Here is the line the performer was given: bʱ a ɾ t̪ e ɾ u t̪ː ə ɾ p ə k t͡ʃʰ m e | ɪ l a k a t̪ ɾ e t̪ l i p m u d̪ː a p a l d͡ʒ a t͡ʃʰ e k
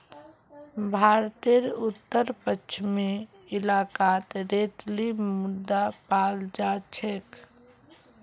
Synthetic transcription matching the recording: bʱ a ɾ t̪ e ɾ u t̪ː ə ɾ p ə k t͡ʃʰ m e | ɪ l a k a t̪ ɾ e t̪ l i m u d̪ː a p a l d͡ʒ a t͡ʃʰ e k